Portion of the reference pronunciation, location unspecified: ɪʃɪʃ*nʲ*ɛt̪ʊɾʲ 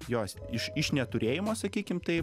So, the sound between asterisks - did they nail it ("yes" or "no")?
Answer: yes